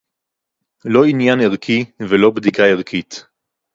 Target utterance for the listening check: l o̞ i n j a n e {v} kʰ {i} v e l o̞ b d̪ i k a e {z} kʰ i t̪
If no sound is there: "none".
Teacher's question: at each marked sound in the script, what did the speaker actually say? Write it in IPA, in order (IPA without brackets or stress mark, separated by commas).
ʁ, i, ʁ